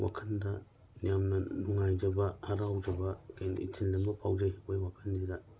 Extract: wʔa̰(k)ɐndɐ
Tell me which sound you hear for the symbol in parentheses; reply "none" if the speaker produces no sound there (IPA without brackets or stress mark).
kʰ